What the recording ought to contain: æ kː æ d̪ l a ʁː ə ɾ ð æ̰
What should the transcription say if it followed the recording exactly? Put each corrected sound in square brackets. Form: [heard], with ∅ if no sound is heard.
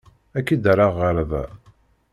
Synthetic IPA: æ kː [i] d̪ [ɾ] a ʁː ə ɾ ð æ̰

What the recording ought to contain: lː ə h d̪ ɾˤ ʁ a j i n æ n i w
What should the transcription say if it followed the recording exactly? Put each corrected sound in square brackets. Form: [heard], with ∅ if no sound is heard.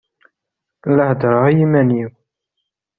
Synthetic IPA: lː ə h d̪ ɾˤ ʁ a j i [m] æ n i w

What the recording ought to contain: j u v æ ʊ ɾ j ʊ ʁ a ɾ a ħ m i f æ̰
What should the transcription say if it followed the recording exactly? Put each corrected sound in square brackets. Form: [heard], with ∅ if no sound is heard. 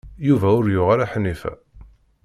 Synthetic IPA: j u v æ ʊ ɾ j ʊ ʁ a ɾ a ħ [n] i f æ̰

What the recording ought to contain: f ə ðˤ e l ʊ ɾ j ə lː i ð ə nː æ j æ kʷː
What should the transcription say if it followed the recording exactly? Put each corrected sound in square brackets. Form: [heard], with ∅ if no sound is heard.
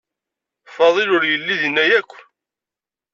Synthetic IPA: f [ɑ] ðˤ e l ʊ ɾ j ə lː i ð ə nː æ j æ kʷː

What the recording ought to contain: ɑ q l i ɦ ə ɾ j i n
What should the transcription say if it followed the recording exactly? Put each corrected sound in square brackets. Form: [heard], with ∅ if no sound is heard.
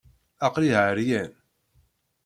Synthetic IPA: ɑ q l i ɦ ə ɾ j [æ] n

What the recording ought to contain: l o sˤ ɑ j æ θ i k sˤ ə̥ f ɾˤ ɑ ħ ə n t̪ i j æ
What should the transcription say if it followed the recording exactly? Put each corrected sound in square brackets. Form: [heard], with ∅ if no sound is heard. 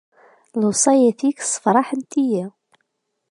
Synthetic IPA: l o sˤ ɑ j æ θ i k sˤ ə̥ f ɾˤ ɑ ħ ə n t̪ i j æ

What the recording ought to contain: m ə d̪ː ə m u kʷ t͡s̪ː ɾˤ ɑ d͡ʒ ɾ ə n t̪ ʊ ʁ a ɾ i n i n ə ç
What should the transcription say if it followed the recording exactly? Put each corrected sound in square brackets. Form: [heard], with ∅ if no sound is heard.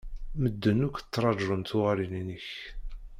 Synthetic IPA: m ə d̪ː ə [n] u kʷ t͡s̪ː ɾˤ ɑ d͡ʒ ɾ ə n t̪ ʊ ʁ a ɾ i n i n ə ç

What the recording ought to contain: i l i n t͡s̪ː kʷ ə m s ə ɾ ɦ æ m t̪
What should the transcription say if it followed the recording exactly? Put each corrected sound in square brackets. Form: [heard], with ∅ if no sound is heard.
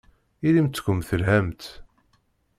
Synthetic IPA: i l i [m] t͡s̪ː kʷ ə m [θ] ə [l] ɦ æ m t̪

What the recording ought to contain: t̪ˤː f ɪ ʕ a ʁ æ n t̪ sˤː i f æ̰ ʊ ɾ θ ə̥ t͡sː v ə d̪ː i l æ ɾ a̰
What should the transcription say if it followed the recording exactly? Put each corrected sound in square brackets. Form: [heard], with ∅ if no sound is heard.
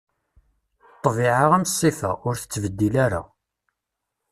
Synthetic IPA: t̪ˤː [v] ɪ ʕ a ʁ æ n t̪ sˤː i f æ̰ ʊ ɾ θ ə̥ t͡sː v ə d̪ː i l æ ɾ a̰

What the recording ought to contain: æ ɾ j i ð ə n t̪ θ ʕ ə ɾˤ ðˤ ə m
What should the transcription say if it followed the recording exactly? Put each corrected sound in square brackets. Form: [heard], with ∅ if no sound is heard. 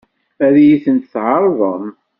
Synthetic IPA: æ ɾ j i [θ] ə n t̪ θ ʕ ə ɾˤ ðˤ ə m

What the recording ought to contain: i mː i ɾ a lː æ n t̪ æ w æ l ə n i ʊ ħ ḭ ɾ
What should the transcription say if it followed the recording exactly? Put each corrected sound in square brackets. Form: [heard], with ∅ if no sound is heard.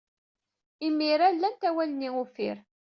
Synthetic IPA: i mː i ɾ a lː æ n t̪ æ w æ l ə n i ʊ [f] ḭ ɾ

